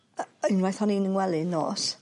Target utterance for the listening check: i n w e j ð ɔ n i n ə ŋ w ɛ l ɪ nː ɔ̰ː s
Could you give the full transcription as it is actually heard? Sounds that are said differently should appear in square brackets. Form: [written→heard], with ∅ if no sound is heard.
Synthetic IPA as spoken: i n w [e→a] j [ð→θ] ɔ n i n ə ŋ w ɛ l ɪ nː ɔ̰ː s